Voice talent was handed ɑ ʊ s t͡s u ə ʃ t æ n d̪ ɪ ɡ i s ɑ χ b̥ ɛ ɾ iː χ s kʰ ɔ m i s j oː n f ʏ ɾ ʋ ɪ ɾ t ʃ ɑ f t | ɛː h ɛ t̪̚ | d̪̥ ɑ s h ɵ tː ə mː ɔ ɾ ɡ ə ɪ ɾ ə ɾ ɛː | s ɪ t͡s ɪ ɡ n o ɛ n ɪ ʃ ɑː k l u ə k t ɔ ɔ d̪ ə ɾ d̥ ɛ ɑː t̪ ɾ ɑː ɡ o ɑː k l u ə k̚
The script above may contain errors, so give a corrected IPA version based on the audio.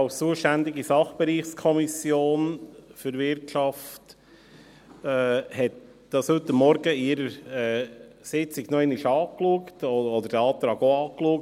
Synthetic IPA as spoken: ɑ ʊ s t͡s u ə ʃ t æ n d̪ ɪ ɡ i s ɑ χ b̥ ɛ ɾ iː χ s kʰ ɔ m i s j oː n f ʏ ɾ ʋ ɪ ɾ t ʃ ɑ f t | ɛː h ɛ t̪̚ | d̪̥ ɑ s h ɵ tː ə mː ɔ ɾ ɡ ə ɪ ɾ ə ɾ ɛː | s ɪ t͡s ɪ ɡ n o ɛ n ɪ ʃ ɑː k l u ə k t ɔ ɔ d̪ ə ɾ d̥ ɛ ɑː t̪ ɾ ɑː ɡ o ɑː k l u ə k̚